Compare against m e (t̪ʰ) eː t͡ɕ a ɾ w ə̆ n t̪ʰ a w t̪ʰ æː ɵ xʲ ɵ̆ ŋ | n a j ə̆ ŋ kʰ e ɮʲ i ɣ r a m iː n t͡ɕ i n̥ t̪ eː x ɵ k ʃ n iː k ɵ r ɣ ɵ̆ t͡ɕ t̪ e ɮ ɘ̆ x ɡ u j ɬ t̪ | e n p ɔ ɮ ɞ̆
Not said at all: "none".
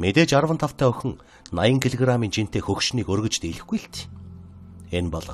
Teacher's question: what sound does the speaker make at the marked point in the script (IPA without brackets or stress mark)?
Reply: t̪